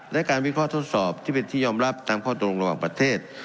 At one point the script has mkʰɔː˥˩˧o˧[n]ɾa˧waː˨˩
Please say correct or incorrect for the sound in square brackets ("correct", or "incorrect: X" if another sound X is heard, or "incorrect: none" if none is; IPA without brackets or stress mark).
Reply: incorrect: ŋ